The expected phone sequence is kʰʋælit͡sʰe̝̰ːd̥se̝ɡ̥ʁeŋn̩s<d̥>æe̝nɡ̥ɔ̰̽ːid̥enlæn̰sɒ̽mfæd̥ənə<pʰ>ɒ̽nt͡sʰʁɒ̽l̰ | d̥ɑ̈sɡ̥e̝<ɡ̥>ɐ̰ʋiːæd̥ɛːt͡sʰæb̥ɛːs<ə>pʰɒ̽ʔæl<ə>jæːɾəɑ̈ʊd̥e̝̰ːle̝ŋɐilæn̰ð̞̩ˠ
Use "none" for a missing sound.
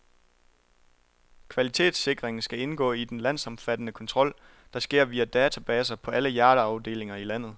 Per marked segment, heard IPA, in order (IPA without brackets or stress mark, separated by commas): ɡ̥, kʰ, none, ɐ, ə